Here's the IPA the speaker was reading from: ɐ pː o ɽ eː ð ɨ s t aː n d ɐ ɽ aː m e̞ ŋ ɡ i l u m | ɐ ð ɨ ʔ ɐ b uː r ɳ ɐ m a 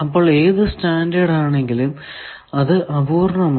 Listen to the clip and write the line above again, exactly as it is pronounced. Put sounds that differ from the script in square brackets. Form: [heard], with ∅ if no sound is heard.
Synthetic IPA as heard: ɐ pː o [ɭ] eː ð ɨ s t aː n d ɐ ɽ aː [ɳ] e̞ ŋ ɡ i l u m | ɐ ð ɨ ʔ ɐ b uː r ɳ ɐ m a